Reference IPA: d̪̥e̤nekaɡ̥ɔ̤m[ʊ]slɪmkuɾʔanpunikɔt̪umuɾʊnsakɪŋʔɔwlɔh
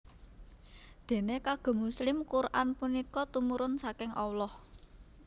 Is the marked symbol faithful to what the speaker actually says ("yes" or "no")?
no